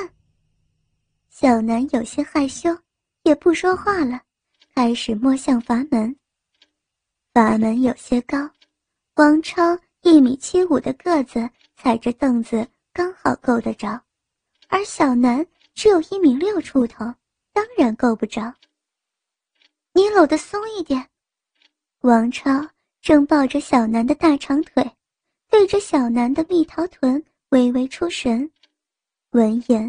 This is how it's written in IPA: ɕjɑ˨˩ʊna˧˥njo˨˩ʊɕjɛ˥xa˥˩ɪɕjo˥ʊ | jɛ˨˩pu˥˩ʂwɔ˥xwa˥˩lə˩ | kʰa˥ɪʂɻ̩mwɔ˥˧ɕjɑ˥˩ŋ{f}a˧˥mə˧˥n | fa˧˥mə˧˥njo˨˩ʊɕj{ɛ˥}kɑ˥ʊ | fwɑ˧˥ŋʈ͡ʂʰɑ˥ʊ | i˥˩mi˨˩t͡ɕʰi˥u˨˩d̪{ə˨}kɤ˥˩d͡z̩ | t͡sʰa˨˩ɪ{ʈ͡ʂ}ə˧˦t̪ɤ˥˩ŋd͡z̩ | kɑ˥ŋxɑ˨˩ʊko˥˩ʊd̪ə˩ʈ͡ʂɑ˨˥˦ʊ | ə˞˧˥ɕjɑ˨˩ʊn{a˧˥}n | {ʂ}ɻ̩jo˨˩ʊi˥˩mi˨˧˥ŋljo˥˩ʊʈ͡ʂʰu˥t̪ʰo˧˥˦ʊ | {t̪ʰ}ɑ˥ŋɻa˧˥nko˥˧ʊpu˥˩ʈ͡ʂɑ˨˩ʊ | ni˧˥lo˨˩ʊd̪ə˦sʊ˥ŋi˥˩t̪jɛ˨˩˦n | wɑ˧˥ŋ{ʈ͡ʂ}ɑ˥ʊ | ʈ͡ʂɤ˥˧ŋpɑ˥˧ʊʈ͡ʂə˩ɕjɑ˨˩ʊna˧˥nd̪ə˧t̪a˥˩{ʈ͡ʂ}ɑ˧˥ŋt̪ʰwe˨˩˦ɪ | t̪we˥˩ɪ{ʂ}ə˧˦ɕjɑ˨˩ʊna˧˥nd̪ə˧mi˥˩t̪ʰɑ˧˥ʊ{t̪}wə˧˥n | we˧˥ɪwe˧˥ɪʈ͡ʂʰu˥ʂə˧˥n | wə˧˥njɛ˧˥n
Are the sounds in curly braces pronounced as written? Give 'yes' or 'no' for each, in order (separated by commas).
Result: yes, yes, no, yes, yes, no, no, no, no, no, no